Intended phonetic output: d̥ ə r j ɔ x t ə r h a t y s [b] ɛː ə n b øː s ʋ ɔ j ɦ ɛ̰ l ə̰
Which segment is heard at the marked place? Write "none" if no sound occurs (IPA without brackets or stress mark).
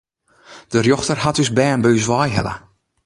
b